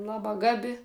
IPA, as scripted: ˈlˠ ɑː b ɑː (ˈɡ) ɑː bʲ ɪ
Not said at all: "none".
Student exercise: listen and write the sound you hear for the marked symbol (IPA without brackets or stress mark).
ɡ